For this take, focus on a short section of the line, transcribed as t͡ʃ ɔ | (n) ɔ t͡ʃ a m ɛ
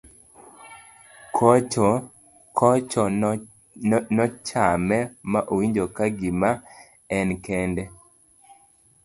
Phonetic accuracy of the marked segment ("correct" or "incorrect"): correct